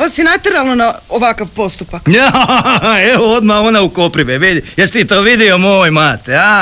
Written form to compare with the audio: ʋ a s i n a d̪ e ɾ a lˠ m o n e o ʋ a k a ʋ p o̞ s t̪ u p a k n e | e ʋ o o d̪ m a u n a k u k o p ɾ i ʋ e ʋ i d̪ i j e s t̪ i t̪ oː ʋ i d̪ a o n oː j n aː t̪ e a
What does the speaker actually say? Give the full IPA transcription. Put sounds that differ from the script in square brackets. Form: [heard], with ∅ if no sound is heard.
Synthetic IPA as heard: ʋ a s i n a [t̪] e ɾ a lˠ [n] o n [a] o ʋ a k a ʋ p o̞ s t̪ u p a k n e | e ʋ o o d̪ m a [o] n a [∅] u k o p ɾ i ʋ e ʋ i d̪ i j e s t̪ i t̪ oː ʋ i d̪ [i] o [m] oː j [m] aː t̪ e a